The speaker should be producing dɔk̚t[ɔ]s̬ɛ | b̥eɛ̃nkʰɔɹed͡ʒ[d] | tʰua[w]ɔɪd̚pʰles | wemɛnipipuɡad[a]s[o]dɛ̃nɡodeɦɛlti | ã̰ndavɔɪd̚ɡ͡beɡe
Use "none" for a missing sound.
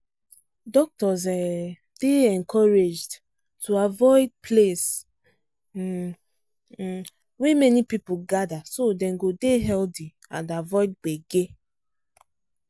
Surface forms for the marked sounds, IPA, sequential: ɔ, d, v, a, o

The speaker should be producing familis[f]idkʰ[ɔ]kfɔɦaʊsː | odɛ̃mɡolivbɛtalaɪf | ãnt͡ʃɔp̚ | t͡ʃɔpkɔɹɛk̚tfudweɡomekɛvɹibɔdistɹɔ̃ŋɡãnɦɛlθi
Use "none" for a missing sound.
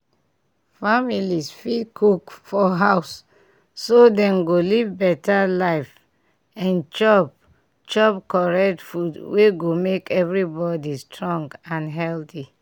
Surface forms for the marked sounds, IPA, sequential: f, u

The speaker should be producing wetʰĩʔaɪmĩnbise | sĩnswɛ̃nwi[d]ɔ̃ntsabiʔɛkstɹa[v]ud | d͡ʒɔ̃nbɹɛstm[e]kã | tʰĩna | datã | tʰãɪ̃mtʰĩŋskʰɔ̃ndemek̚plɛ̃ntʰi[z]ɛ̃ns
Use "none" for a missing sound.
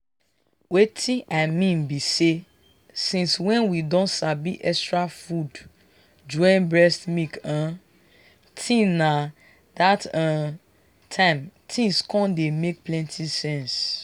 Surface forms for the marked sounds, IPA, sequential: d, f, i, s

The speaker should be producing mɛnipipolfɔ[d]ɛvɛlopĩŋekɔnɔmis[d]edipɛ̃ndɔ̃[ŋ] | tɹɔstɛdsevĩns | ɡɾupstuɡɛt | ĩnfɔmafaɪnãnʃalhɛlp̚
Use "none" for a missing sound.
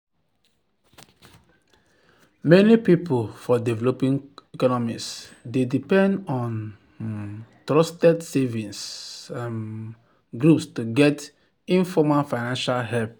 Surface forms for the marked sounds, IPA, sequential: d, d, n

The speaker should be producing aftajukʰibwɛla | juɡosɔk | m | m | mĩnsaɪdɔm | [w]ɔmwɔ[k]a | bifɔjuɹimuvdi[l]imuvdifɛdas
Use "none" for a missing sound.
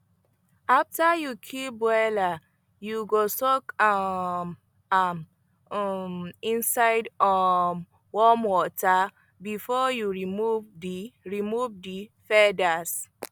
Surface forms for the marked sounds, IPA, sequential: w, t, ɹ

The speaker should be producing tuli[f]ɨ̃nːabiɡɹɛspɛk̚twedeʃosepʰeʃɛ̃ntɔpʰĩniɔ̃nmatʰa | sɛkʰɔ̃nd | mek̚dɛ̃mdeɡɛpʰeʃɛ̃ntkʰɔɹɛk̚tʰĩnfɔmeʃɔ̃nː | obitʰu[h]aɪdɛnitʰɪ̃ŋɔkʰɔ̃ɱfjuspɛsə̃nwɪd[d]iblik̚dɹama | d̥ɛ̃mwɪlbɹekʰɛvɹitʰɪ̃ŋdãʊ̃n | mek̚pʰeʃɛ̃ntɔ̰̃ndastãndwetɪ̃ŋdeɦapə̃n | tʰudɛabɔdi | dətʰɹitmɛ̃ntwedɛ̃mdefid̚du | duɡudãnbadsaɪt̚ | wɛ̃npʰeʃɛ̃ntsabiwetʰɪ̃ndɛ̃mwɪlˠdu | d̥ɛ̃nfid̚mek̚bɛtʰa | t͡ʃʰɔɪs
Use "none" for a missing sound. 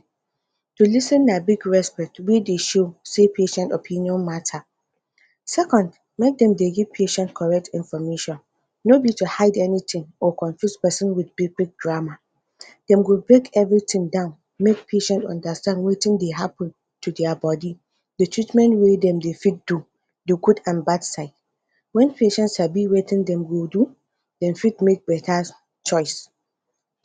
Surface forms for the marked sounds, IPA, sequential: s, h, b

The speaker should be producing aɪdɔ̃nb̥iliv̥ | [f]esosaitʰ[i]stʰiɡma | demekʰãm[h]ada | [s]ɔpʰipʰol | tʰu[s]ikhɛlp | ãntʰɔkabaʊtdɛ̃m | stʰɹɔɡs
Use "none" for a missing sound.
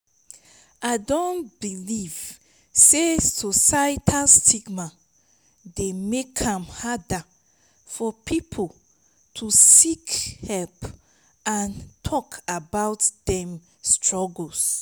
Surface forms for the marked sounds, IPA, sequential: s, a, h, f, s

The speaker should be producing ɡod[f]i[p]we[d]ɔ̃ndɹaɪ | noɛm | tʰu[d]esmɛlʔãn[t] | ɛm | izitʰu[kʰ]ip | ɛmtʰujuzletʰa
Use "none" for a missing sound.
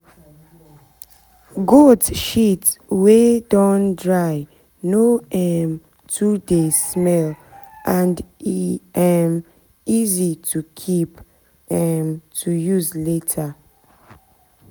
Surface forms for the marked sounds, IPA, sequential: ʃ, t, d, d, d, kʰ

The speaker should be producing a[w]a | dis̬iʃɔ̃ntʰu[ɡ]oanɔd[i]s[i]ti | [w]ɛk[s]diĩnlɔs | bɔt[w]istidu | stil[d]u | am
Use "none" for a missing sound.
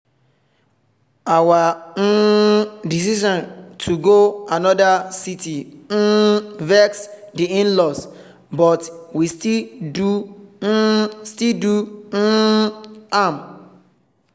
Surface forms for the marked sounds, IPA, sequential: w, ɡ, a, i, v, s, w, d

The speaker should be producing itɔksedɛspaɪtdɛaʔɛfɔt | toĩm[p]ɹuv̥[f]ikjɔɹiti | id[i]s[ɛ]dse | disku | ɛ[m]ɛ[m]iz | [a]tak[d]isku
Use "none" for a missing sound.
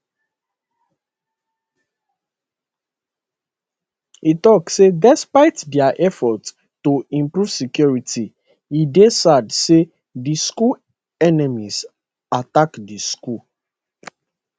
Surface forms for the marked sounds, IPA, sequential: p, s, e, a, n, m, a, d

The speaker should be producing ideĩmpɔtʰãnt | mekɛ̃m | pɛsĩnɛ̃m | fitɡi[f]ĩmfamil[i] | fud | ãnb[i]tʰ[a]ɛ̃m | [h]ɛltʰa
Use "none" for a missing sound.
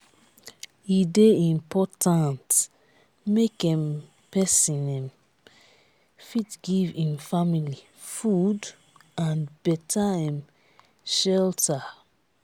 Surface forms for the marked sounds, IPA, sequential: v, i, ɛ, a, ʃ

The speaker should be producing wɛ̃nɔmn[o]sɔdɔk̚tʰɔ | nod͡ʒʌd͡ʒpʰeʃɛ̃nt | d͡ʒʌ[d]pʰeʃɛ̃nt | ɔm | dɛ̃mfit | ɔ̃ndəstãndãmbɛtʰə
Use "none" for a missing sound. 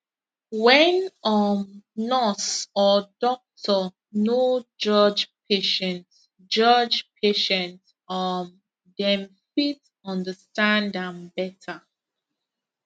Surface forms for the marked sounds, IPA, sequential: ɔ, d͡ʒ

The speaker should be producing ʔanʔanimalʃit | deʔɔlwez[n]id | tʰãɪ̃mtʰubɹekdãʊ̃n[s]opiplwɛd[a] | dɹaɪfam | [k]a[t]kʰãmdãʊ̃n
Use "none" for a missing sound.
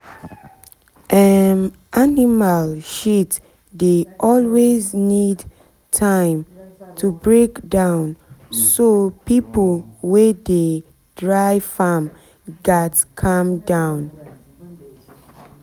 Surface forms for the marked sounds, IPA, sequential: n, s, e, ɡ, t

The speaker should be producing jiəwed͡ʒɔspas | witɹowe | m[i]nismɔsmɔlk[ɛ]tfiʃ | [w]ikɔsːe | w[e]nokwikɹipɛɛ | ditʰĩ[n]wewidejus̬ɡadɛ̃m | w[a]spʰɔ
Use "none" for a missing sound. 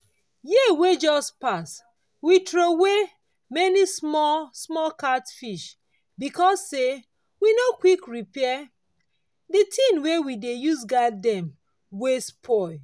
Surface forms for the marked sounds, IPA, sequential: ɛ, a, b, i, n, e

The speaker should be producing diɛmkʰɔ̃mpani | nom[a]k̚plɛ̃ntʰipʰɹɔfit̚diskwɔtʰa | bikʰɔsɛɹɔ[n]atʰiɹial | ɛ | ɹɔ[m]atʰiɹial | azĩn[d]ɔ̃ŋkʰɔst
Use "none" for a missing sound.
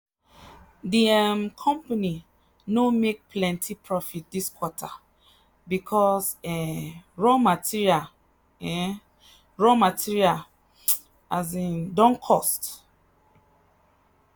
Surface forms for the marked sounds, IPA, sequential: e, m, m, d

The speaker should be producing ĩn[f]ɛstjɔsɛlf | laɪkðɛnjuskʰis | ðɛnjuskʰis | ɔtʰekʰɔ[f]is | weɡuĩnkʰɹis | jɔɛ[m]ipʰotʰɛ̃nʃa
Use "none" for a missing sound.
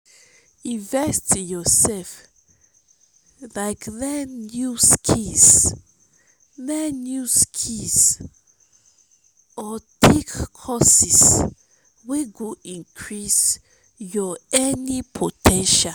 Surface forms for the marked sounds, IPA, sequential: v, s, n

